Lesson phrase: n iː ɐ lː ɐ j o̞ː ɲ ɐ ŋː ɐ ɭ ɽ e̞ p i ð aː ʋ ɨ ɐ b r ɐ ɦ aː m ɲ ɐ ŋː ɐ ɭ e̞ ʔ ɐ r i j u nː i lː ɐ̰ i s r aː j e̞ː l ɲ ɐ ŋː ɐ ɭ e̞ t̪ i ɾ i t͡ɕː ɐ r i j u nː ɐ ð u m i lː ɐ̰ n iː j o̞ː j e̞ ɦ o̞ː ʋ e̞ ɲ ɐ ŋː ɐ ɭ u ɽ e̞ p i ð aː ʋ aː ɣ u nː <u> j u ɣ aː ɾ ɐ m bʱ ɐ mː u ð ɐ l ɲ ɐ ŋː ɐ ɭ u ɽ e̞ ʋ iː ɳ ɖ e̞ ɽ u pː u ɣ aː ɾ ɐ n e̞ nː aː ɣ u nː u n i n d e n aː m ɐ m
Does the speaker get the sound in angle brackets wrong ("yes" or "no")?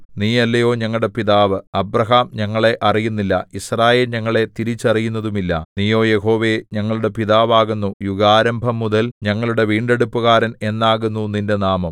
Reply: no